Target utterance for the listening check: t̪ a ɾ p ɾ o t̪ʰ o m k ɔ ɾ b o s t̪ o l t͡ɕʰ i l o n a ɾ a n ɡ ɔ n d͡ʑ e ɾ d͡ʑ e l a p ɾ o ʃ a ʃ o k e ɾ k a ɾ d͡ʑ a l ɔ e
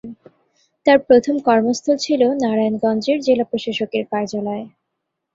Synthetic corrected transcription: t̪ a ɾ p ɾ o t̪ʰ o m k ɔ ɾ m o s t̪ʰ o l t͡ɕʰ i l o n a ɾ a n ɡ ɔ n d͡ʑ e ɾ d͡ʑ e l a p ɾ o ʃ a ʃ o k e ɾ k a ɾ d͡ʑ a l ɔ e